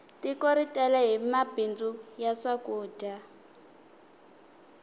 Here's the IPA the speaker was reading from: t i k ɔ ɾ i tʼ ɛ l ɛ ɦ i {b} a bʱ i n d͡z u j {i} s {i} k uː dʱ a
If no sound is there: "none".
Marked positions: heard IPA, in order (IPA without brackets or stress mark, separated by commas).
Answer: m, a, a